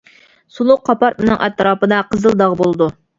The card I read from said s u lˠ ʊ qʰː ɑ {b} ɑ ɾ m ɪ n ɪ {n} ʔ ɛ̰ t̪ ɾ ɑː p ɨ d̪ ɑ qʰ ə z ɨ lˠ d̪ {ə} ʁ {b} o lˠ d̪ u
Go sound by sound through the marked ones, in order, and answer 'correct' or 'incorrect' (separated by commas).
incorrect, incorrect, incorrect, correct